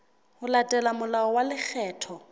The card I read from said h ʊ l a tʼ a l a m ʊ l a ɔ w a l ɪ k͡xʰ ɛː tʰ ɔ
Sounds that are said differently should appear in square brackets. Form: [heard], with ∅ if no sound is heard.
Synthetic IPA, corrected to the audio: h ʊ l a tʼ [ɛ] l a m ʊ l a ɔ w a l ɪ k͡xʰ ɛː tʰ ɔ